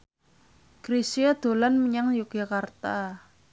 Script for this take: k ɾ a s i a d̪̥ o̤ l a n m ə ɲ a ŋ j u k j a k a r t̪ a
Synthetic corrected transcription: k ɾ i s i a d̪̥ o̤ l a n m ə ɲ a ŋ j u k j a k a r t̪ a